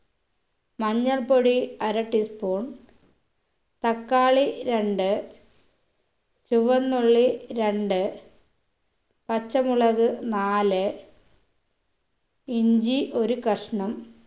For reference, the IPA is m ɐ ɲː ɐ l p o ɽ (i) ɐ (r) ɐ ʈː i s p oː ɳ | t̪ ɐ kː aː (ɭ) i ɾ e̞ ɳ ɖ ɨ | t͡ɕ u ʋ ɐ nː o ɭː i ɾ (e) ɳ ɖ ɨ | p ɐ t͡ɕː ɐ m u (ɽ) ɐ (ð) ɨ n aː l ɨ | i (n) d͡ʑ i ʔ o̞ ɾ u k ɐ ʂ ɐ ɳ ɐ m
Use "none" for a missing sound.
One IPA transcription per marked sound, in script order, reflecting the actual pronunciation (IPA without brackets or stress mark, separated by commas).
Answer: i, ɾ, ɭ, e, ɭ, ɣ, ɲ